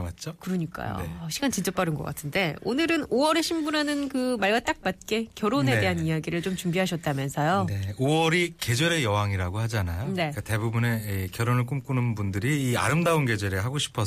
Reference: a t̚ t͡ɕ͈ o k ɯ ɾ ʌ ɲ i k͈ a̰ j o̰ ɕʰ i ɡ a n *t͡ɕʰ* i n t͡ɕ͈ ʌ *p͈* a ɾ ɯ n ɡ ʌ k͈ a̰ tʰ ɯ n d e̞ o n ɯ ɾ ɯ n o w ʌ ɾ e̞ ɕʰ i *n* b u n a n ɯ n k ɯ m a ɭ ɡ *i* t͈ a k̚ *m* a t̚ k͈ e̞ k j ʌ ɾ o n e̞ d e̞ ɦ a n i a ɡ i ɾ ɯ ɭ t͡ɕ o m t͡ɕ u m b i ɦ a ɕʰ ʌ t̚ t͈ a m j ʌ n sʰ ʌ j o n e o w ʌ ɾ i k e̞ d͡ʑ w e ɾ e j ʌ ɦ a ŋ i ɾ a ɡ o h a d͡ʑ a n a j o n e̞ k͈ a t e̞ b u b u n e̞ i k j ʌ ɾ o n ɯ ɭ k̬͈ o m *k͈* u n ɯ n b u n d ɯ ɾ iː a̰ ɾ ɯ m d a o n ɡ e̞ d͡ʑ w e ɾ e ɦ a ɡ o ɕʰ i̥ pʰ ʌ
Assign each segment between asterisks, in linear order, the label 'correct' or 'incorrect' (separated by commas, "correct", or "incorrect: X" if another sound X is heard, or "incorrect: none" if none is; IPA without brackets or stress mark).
incorrect: t͡ɕ, correct, incorrect: m, incorrect: a, correct, correct